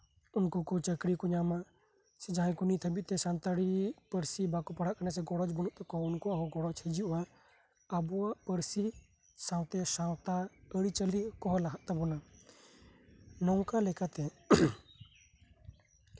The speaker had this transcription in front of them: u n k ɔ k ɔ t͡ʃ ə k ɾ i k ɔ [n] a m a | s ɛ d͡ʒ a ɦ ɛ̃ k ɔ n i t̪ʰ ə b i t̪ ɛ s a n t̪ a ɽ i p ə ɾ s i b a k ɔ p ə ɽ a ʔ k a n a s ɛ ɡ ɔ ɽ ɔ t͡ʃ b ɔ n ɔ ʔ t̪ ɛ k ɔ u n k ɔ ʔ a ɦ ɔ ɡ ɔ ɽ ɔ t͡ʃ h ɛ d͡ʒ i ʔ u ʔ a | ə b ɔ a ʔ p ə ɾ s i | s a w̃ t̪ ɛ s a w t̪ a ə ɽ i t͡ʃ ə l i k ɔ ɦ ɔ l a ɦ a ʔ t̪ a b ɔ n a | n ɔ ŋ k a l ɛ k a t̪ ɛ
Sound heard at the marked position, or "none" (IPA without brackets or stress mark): ɲ